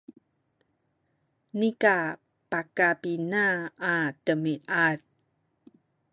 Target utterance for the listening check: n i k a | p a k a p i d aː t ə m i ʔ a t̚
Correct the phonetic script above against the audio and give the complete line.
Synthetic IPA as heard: n i k a | p a k a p i n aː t ə m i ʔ a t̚

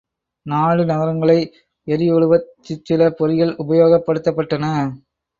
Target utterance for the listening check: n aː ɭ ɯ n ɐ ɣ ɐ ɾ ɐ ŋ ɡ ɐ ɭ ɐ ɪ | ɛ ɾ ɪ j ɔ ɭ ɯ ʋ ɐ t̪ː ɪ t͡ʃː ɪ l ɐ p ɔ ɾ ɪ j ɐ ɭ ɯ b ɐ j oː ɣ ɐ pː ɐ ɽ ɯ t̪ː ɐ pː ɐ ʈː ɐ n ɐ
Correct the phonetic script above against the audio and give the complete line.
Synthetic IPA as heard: n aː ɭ ɯ n ɐ ɣ ɐ ɾ ɐ ŋ ɡ ɐ ɭ ɐ ɪ | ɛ ɾ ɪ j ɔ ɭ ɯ ʋ ɐ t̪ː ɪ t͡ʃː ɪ l ɐ p ɔ ɾ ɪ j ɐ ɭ ʊ b ɐ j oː ɣ ɐ pː ɐ ɽ ɯ t̪ː ɐ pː ɐ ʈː ɐ n ɐ

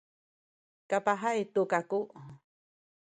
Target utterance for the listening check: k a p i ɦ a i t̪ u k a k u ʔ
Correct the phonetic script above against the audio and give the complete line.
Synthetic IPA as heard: k a p a ɦ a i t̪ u k a k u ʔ

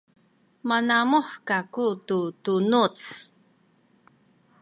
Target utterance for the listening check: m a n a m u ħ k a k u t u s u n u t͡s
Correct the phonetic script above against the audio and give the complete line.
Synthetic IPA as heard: m a n a m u ħ k a k u t u t u n u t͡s

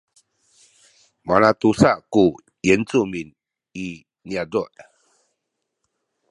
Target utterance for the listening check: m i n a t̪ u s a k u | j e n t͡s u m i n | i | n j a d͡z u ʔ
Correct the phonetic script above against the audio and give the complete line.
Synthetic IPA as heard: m a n a t̪ u s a k u | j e n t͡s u m i n | i | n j a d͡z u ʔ

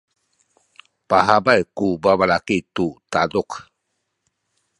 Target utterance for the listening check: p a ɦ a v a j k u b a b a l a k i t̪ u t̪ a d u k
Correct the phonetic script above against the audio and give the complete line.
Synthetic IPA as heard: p a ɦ a b a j k u b a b a l a k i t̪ u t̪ a d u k

